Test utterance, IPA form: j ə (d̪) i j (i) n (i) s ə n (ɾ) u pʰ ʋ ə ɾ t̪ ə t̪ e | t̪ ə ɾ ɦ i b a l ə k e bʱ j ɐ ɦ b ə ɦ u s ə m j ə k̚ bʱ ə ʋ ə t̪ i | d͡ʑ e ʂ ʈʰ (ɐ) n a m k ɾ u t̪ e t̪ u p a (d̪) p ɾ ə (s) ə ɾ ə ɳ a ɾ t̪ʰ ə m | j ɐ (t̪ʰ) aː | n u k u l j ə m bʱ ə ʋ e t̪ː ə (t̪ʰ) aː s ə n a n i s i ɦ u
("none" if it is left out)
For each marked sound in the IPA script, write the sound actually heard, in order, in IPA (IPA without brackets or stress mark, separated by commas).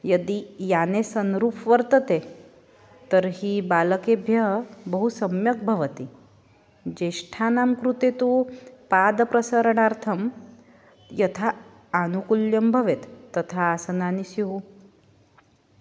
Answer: d̪, a, e, ɾ, a, d̪, s, t̪ʰ, t̪ʰ